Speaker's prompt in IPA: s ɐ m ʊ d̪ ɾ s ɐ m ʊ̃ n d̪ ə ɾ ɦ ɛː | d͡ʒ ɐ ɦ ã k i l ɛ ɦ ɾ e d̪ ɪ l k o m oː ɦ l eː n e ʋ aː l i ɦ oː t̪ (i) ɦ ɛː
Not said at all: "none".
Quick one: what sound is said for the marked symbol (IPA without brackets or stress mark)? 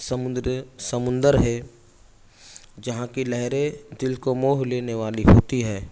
i